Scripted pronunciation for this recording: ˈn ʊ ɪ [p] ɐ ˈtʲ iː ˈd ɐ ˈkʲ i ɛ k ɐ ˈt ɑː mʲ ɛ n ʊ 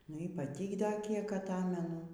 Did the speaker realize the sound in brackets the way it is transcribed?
yes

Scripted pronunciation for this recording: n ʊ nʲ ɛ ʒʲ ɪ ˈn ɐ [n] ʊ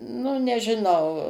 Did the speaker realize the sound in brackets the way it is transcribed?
no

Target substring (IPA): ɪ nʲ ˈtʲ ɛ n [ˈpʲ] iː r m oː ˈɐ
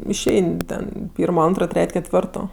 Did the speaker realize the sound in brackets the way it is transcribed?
yes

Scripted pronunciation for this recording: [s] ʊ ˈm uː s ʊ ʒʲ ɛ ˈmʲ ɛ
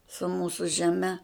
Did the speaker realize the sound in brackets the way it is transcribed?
yes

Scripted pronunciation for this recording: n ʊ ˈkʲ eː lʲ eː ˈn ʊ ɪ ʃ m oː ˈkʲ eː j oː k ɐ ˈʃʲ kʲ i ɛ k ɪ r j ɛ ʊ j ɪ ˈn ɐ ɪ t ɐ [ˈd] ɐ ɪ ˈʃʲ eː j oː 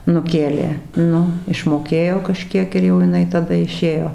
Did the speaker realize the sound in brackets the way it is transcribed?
yes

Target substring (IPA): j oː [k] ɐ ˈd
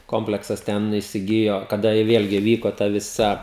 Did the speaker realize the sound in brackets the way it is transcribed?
yes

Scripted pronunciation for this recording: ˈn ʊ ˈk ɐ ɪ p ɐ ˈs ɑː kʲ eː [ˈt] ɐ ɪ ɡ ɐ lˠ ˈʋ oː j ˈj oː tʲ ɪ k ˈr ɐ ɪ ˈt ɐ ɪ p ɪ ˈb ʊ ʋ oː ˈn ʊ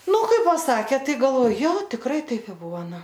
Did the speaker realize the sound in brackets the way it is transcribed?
yes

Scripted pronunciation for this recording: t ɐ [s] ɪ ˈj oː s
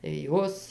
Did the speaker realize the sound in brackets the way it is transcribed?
no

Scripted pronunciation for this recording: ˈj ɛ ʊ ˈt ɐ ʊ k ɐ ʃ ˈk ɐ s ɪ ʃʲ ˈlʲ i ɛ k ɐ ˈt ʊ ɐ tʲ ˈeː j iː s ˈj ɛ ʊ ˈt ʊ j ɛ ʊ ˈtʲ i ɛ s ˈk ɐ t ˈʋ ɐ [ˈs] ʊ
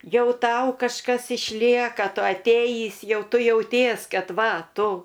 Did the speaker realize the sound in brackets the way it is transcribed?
no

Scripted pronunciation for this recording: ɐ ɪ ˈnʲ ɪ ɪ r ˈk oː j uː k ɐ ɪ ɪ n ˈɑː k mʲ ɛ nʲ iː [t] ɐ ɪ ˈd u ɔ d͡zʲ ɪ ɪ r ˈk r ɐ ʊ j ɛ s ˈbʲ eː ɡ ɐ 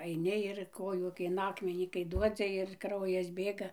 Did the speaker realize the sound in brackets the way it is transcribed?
no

